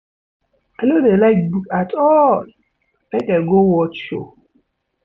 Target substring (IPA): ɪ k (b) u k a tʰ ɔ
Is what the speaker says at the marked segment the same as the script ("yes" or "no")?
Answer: yes